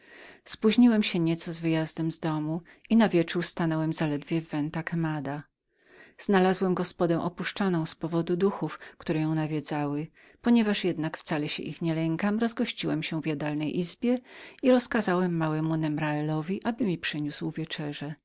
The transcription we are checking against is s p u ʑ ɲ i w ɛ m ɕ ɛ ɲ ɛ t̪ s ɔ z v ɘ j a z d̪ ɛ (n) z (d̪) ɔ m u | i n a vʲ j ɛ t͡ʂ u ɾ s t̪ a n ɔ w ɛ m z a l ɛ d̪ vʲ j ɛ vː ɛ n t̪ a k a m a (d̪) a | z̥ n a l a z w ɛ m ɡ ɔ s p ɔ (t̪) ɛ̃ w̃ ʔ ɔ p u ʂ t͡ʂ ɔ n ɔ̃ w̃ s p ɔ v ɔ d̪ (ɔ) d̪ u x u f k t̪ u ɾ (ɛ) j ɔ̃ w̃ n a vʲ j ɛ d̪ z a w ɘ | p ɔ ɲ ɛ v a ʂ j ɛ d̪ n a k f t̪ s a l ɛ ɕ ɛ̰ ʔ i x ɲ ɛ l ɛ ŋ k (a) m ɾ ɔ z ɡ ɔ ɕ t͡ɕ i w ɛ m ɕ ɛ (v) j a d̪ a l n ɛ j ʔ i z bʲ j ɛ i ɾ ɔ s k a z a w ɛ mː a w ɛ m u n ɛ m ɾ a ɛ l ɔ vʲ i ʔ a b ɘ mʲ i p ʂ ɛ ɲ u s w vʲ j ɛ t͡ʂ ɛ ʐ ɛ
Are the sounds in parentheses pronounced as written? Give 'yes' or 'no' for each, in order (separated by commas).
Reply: no, yes, yes, no, no, yes, yes, yes